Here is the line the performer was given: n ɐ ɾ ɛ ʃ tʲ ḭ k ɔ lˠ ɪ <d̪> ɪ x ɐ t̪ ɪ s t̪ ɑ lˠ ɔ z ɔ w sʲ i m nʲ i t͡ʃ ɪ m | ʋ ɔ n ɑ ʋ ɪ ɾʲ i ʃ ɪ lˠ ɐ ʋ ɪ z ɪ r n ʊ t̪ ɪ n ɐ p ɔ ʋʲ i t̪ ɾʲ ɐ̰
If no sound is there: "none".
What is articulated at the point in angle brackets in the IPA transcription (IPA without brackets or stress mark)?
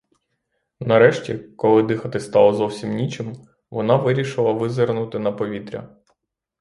d̪